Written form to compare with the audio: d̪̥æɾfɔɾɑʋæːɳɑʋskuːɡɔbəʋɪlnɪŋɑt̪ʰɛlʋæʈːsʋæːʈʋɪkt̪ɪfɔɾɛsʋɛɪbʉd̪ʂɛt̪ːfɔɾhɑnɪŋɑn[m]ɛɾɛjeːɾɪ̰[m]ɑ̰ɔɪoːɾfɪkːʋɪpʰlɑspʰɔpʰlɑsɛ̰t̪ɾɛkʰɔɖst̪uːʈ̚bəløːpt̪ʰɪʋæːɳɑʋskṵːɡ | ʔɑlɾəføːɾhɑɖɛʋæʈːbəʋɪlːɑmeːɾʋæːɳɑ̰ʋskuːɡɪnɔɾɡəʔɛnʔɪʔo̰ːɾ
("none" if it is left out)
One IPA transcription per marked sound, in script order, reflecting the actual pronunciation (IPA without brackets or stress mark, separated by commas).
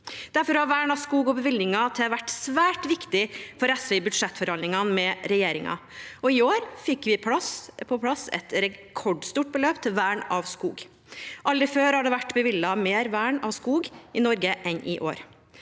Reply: m, ŋ